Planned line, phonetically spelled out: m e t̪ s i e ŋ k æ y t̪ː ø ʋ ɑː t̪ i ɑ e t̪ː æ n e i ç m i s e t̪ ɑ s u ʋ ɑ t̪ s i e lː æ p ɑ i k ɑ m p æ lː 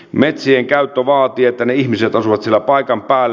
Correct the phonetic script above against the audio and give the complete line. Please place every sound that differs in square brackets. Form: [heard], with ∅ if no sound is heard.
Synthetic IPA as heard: m e t̪ s i e ŋ k æ y t̪ː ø ʋ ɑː t̪ i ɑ e t̪ː æ n e i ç m i s e t̪ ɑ s u ʋ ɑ t̪ s i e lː æ p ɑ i k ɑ m p [æː] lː